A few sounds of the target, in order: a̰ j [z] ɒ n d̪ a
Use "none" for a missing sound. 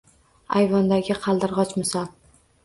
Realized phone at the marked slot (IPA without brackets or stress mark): v